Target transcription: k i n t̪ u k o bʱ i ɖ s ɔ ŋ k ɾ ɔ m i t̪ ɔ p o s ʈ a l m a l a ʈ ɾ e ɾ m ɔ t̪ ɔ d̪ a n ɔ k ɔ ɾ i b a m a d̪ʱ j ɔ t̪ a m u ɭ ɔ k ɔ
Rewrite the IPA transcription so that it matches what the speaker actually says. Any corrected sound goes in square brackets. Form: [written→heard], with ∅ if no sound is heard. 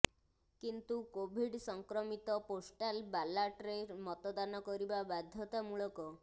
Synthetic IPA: k i n t̪ u k o bʱ i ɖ s ɔ ŋ k ɾ ɔ m i t̪ ɔ p o s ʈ a l [m→b] a l a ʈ ɾ e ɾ m ɔ t̪ ɔ d̪ a n ɔ k ɔ ɾ i b a [m→b] a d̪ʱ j ɔ t̪ a m u ɭ ɔ k ɔ